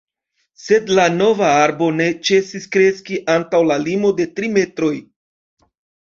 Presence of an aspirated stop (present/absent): absent